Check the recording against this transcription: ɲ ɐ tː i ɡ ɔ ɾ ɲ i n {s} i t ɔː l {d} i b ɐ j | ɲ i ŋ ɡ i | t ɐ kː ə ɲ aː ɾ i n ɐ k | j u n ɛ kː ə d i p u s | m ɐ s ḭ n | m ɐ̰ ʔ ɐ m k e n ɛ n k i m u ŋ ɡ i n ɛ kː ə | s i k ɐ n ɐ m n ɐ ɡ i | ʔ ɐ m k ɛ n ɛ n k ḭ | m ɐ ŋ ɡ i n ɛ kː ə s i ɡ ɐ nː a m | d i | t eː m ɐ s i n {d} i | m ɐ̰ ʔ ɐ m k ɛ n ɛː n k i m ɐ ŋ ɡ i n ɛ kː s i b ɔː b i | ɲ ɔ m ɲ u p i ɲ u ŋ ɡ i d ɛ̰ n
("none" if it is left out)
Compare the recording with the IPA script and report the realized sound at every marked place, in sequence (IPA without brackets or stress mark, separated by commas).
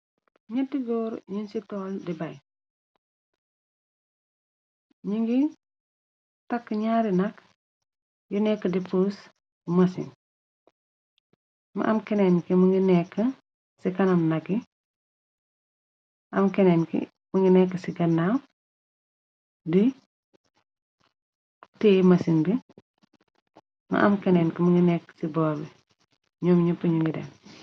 s, d, b